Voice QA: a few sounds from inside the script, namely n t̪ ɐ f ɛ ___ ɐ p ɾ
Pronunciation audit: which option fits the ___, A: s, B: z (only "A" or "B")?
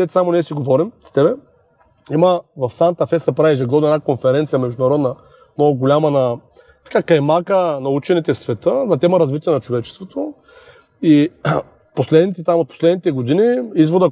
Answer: A